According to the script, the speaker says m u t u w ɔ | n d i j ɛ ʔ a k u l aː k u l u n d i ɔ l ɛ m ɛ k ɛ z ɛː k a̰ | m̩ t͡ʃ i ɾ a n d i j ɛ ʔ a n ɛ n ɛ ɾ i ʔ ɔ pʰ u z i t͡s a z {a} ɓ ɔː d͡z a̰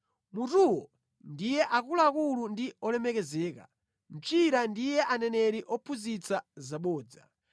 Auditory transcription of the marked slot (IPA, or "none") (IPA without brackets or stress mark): a